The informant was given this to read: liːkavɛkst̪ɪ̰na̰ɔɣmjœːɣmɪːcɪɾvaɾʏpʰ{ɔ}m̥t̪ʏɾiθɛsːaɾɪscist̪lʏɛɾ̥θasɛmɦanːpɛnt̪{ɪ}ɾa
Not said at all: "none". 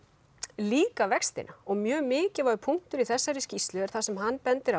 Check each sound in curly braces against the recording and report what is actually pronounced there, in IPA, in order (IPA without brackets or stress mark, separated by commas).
u, ɪ